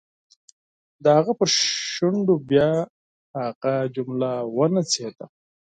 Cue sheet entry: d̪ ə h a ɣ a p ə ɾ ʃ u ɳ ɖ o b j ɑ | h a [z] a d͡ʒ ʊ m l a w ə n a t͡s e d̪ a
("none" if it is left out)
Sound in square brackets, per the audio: ɣ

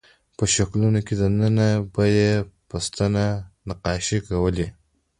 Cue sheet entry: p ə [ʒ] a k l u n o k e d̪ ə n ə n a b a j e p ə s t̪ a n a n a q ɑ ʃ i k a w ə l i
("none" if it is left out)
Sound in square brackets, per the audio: ʃ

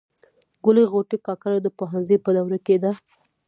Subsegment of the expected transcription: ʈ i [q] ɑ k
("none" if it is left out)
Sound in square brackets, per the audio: k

